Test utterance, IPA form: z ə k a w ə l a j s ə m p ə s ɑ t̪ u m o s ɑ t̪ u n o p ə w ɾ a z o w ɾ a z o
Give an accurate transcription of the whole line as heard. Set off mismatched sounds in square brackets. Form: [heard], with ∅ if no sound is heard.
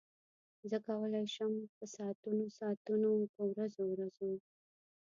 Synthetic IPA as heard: z ə k a w ə l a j [ʃ] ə m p ə s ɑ t̪ u [n] o s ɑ t̪ u n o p ə w ɾ a z o w ɾ a z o

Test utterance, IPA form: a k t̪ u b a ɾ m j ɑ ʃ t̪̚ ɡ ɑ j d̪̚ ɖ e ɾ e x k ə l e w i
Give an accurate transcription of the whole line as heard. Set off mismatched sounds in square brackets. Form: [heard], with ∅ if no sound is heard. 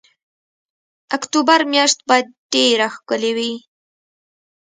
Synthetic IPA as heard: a k t̪ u b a ɾ m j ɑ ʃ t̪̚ [b] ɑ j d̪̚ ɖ e ɾ [a] x k ə l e w i

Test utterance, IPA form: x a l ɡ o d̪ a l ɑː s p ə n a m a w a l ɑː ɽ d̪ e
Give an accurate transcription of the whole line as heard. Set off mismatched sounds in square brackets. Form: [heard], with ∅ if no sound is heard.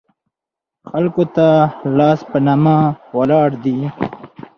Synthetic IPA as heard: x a l [k] o [t̪] a l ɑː s p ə n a m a w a l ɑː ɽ d̪ [i]

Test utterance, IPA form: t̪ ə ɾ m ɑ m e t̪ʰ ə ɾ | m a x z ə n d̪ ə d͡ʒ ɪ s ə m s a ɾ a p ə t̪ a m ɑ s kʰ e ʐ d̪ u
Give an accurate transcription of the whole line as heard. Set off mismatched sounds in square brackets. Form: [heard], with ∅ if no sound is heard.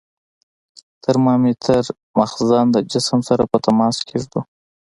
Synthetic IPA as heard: t̪ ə ɾ m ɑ m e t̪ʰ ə ɾ | m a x z [ɑ] n d̪ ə d͡ʒ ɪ s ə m s a ɾ a p ə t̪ a m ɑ s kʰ e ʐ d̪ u

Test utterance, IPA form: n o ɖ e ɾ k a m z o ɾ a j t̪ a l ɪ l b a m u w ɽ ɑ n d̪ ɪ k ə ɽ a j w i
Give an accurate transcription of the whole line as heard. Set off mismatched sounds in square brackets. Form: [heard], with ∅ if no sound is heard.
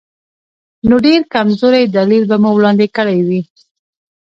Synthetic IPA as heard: n o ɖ e ɾ k a m z o ɾ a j [d̪] a l [i] l b a m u w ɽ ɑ n d̪ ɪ k ə ɽ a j w i

